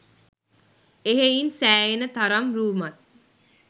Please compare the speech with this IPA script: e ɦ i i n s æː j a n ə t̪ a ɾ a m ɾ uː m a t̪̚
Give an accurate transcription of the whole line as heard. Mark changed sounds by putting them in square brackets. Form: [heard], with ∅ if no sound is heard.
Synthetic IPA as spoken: e ɦ [e] i n s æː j [e] n ə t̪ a ɾ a m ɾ uː m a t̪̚